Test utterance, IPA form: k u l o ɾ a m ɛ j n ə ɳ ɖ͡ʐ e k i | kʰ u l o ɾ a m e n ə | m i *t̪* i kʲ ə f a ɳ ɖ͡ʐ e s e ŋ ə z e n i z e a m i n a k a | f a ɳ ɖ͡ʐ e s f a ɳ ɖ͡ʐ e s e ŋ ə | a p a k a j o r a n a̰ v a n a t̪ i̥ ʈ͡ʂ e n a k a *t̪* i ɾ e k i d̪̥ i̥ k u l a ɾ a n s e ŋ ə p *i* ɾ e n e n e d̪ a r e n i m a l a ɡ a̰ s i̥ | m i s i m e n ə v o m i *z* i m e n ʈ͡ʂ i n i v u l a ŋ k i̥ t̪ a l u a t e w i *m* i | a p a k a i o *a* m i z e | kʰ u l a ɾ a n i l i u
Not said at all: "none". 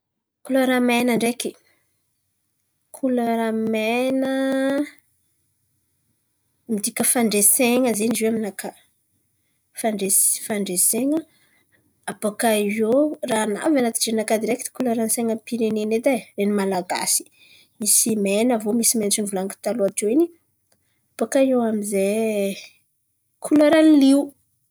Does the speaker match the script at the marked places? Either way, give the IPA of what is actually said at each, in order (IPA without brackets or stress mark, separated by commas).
d̪, d̪, i, s, n, a